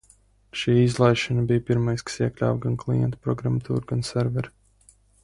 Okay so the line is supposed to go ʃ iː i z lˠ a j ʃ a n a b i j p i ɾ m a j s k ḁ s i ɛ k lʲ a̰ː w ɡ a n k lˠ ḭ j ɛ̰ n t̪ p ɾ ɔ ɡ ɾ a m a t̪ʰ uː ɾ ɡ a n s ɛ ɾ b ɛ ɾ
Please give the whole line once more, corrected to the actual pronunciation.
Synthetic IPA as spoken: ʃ iː i z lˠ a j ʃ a n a b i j p i ɾ m a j s k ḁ s i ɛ k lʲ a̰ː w ɡ a n k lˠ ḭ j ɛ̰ n t̪ p ɾ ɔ ɡ ɾ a m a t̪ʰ uː ɾ ɡ a n s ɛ ɾ v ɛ ɾ